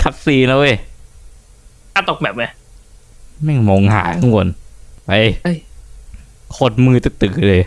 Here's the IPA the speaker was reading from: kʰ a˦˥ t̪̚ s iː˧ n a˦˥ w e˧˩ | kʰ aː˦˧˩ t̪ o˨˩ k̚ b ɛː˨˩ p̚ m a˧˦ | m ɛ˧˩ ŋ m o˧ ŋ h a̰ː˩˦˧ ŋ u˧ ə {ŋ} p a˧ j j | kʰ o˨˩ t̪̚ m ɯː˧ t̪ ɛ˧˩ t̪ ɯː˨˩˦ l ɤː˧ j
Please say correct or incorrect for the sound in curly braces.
incorrect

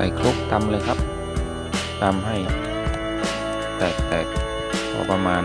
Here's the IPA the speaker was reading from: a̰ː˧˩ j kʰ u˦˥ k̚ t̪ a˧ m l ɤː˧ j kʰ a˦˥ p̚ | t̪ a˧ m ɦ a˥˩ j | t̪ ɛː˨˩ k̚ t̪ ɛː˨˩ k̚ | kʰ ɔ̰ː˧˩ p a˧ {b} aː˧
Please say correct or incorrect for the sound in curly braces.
incorrect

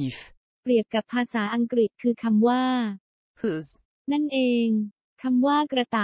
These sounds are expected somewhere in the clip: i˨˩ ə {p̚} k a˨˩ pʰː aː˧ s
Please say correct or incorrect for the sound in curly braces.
correct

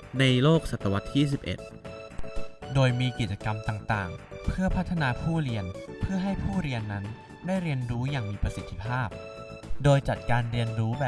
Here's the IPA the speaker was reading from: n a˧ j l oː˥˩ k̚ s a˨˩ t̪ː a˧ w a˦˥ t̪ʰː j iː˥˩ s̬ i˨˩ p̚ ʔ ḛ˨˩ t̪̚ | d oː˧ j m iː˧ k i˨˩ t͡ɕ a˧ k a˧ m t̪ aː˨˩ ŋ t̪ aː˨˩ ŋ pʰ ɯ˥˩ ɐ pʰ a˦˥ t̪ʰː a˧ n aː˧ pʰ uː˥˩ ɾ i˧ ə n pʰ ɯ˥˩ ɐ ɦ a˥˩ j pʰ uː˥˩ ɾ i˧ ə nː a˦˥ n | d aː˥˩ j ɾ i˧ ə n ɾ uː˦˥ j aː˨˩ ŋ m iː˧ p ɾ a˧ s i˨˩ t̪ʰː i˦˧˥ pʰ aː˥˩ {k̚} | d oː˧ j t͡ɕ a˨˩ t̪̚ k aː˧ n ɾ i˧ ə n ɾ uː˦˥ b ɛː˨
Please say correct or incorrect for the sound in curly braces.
incorrect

